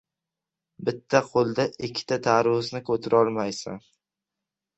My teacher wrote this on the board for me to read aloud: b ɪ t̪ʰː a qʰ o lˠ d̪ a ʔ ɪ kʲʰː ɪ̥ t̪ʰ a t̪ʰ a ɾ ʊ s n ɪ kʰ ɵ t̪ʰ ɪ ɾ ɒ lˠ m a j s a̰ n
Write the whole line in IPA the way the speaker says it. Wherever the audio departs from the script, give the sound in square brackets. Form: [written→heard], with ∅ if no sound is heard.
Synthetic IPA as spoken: b ɪ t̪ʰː a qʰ o lˠ d̪ a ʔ ɪ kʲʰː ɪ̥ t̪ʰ a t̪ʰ a ɾ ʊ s n ɪ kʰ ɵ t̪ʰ ɪ ɾ ɒ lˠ m a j s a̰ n